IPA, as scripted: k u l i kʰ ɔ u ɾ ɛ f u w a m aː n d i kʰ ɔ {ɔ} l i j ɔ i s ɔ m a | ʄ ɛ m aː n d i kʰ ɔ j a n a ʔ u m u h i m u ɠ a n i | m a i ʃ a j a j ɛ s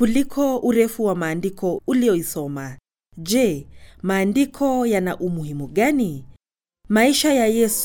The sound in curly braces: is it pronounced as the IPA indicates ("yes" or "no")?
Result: no